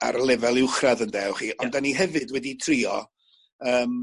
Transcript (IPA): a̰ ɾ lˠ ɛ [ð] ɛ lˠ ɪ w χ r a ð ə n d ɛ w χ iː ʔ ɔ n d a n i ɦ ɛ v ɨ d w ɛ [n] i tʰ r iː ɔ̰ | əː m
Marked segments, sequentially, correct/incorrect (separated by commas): incorrect, incorrect